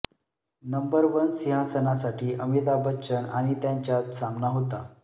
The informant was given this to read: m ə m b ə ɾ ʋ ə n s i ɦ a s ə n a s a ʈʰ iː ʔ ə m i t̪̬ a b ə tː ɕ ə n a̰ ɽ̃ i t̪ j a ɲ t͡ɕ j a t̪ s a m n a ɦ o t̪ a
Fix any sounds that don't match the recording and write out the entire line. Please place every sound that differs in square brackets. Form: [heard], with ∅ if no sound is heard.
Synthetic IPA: [n] ə m b ə ɾ ʋ ə n s i ɦ a s ə n a s a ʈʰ iː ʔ ə m i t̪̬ a b ə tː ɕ ə n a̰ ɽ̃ i t̪ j a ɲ t͡ɕ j a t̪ s a m n a ɦ o t̪ a